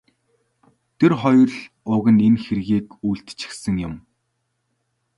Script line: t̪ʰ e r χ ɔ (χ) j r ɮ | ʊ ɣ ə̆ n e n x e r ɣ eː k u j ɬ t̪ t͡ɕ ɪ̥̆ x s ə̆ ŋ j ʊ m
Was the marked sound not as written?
yes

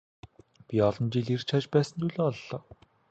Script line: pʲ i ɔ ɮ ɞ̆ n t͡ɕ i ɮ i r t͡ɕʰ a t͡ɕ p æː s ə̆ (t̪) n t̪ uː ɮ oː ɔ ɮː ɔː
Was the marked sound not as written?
yes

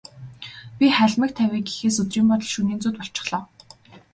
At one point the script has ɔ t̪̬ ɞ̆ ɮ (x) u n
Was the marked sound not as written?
yes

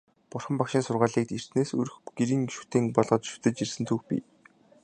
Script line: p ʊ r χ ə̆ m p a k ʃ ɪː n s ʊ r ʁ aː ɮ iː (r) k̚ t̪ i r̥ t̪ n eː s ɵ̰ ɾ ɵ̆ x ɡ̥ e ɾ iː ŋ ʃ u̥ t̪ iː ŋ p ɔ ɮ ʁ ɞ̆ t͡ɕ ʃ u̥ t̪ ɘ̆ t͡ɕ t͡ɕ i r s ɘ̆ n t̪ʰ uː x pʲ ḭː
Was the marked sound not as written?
yes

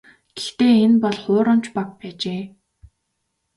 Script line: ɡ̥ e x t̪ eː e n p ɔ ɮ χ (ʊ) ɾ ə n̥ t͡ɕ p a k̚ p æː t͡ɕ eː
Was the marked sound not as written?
yes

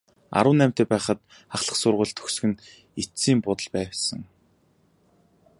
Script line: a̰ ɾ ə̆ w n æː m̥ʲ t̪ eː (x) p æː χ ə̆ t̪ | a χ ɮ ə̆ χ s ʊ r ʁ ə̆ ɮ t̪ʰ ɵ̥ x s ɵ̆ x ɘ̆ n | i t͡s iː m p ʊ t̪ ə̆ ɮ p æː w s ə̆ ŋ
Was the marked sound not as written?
yes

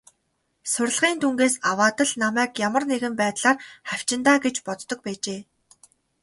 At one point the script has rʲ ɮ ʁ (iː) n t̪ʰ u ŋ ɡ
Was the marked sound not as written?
no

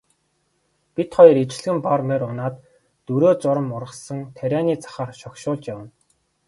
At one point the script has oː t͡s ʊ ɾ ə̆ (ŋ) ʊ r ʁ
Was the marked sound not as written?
yes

